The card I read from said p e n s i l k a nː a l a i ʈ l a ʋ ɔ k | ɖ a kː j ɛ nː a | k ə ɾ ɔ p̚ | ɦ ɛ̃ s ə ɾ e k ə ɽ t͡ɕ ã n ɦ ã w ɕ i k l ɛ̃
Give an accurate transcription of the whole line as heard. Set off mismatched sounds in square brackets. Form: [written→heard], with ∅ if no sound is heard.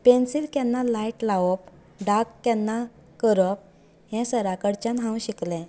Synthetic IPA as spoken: p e n s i l k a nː a l a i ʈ l a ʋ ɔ [k→p] | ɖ a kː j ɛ nː a | k ə ɾ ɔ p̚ | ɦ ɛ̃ s ə ɾ [e→a] k ə ɽ t͡ɕ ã n ɦ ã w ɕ i k l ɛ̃